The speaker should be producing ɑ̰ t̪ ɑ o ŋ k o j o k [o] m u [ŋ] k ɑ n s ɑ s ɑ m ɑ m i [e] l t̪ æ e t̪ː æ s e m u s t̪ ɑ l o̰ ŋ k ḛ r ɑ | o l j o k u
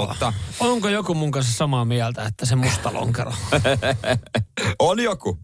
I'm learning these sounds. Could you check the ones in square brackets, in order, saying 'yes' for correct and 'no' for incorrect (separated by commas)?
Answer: no, yes, no